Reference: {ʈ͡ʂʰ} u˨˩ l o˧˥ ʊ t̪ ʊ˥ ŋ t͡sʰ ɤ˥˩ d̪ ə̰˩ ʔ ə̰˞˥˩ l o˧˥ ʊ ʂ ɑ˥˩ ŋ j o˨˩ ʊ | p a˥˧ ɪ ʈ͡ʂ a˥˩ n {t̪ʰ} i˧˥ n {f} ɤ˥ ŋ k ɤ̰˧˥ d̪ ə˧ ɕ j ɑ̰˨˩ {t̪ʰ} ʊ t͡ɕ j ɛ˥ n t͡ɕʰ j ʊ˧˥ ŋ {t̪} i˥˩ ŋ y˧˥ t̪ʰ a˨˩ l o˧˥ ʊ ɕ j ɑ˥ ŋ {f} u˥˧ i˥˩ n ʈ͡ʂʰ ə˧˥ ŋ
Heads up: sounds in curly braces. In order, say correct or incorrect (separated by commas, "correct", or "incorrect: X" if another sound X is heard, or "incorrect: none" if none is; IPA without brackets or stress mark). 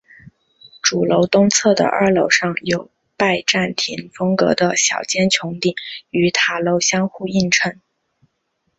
incorrect: ʈ͡ʂ, correct, correct, incorrect: none, correct, incorrect: x